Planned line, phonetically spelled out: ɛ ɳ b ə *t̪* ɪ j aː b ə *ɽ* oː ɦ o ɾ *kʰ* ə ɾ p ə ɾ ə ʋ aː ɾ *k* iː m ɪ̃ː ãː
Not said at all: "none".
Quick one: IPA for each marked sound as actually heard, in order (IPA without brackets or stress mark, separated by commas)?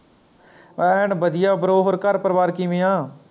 d̪, ɾ, k, k